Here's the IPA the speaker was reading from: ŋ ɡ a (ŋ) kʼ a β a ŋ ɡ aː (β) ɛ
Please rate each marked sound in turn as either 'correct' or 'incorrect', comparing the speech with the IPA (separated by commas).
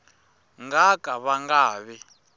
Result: incorrect, correct